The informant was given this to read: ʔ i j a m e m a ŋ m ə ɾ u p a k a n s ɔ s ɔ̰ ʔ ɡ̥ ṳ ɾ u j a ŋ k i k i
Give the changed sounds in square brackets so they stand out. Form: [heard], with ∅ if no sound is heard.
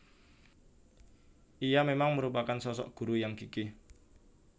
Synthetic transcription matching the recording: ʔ i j a m e m a ŋ m ə ɾ u p a k a n s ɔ s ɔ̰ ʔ ɡ̥ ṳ ɾ u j a ŋ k i k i